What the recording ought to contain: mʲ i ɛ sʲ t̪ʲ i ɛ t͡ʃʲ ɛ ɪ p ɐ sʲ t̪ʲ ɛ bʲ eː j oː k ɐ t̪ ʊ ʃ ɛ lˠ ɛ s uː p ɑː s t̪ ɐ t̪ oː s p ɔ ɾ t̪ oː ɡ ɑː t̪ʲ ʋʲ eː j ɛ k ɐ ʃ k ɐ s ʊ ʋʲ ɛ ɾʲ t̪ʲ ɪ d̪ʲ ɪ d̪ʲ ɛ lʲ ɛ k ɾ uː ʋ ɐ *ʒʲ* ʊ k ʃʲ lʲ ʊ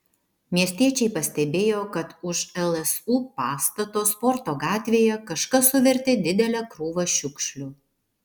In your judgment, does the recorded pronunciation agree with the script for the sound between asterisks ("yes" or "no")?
no